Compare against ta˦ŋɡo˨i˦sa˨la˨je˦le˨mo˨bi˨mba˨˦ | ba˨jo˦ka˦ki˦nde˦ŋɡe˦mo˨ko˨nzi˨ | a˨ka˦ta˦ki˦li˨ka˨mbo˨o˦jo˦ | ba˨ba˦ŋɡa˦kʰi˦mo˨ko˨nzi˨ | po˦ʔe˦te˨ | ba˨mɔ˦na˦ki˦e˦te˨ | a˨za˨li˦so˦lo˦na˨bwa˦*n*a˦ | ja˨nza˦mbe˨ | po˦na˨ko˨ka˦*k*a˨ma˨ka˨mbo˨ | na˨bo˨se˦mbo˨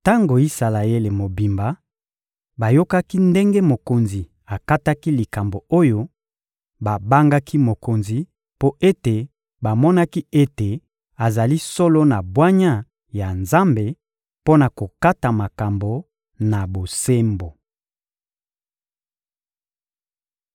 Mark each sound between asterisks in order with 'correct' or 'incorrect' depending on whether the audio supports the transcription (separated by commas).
incorrect, incorrect